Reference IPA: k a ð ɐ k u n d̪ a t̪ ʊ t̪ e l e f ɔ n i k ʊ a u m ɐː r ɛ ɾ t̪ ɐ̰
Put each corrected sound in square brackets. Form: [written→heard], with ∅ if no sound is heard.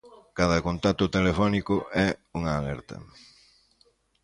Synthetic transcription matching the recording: k a ð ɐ k [u→o] n [d̪→t̪] a t̪ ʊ t̪ e l e f ɔ n i k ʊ [a→ɛ] u [m→ŋ] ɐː [r→l] ɛ ɾ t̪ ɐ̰